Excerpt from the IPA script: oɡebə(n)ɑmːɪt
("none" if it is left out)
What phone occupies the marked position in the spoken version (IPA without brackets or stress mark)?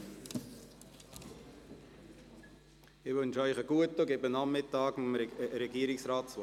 n